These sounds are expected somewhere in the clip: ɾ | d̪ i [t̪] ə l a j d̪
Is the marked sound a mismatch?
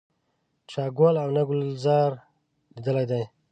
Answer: yes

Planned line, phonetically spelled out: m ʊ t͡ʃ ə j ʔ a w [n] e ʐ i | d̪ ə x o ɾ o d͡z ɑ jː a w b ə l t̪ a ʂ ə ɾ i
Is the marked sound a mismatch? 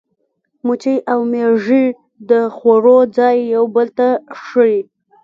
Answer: yes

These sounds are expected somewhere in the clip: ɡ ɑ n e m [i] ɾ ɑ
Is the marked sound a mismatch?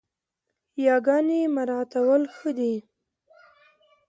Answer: yes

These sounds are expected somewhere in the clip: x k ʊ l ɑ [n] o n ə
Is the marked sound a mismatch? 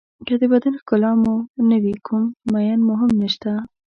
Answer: yes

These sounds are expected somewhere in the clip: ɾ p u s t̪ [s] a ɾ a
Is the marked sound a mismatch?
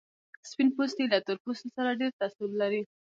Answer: no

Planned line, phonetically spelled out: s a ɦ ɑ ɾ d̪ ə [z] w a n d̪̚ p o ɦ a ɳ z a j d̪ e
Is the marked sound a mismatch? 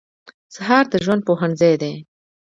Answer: yes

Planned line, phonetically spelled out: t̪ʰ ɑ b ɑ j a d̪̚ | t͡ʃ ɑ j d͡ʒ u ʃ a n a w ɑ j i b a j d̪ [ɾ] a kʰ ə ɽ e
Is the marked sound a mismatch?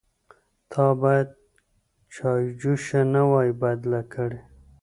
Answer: yes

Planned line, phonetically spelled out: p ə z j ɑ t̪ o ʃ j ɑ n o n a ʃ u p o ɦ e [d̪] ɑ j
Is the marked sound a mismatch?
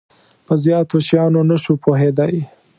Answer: no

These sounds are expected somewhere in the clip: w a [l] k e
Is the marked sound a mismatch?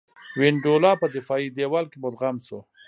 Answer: no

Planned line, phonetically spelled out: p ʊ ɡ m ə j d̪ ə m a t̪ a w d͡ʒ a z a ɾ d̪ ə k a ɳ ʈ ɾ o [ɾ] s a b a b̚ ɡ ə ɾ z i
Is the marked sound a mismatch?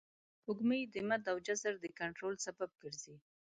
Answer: yes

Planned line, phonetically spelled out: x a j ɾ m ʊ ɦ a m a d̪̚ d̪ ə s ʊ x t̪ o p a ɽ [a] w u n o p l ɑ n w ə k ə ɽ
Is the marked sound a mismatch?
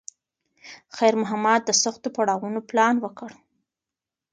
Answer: yes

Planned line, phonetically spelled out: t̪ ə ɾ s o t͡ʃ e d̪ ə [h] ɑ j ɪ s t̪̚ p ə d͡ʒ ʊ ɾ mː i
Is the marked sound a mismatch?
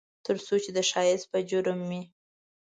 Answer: yes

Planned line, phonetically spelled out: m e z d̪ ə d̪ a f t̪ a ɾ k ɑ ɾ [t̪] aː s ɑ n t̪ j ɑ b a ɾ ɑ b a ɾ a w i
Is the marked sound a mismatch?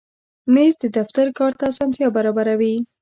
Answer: no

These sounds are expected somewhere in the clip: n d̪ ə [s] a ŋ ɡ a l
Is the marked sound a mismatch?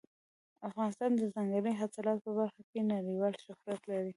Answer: yes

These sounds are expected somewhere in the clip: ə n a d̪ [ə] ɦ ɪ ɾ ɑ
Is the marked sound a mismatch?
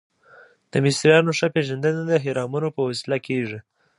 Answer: no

